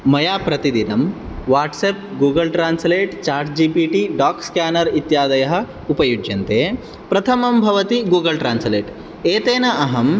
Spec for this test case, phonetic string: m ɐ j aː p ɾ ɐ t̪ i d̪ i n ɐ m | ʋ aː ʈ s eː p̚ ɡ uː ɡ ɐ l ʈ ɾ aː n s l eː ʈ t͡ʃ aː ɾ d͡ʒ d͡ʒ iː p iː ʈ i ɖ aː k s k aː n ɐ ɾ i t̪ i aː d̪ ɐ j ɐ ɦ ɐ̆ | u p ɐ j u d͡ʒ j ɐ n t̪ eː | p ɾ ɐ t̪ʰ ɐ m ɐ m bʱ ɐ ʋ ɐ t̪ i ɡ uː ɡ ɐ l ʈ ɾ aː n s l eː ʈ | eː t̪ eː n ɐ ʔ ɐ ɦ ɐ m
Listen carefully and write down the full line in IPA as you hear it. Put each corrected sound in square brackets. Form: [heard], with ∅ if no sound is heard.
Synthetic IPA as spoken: m ɐ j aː p ɾ ɐ t̪ i d̪ i n ɐ m | ʋ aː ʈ s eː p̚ ɡ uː ɡ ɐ l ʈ ɾ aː n s l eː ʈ t͡ʃ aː ɾ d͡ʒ d͡ʒ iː p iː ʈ i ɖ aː k s k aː n ɐ ɾ i t̪ [j] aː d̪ ɐ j ɐ ɦ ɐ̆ | u p ɐ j u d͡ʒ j ɐ n t̪ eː | p ɾ ɐ t̪ʰ ɐ m ɐ m bʱ ɐ ʋ ɐ t̪ i ɡ uː ɡ ɐ l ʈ ɾ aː n s l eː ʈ | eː t̪ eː n ɐ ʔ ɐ ɦ ɐ m